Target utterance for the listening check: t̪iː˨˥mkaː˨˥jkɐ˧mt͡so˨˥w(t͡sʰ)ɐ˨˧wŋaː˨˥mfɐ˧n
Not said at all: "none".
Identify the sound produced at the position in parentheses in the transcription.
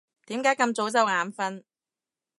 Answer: t͡s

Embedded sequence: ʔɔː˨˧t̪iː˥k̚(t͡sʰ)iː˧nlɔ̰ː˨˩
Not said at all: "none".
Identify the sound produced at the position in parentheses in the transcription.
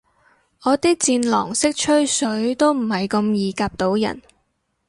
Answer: t͡s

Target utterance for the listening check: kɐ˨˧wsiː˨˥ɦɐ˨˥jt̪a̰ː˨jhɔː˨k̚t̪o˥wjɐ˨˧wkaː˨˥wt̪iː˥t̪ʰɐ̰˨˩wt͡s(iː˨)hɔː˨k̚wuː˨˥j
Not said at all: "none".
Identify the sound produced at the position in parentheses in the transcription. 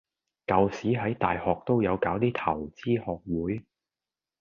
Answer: iː˥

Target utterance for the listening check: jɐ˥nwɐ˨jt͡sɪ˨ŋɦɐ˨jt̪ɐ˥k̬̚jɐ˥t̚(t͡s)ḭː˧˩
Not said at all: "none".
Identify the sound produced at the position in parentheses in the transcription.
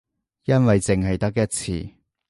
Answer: t͡sʰ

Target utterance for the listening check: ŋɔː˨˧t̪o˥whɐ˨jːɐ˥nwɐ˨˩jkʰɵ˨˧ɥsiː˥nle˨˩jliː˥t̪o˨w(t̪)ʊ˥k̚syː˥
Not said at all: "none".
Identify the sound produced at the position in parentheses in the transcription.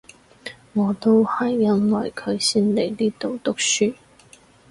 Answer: t̪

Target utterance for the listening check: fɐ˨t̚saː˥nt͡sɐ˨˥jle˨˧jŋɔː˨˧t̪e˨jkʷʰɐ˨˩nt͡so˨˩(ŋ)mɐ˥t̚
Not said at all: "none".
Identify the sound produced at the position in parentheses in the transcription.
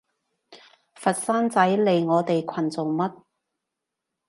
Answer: ŋ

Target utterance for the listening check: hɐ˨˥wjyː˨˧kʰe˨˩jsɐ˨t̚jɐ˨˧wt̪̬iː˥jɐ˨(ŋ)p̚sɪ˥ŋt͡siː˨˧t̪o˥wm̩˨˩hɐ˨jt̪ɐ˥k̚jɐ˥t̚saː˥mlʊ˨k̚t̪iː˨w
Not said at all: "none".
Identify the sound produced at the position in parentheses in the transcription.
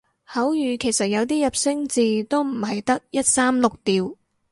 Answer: none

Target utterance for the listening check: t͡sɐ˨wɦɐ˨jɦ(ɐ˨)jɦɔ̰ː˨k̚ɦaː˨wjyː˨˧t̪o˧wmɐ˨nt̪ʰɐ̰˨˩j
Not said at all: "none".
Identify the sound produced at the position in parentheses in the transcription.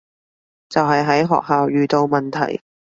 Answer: ɐ˨˥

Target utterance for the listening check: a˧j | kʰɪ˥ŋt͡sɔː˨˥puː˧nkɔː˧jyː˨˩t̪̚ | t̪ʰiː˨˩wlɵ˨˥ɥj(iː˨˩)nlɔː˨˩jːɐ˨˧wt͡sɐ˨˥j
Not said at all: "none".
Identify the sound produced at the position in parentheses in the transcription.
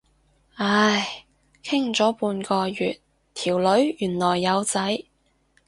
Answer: yː˨˩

